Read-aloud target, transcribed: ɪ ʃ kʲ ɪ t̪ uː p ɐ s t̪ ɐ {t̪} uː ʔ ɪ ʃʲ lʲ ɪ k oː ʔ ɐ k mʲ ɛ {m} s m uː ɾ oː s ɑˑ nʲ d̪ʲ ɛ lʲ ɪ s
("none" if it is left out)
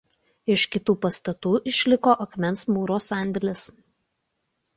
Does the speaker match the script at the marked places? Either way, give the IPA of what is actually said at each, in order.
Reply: t̪, n

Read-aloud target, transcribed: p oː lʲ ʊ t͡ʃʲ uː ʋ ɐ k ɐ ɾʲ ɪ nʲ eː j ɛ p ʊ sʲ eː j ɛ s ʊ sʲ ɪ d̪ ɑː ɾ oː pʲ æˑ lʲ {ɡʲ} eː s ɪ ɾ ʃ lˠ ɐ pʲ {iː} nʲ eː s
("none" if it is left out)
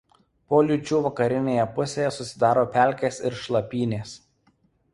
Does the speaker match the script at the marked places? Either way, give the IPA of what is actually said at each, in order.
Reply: kʲ, iː

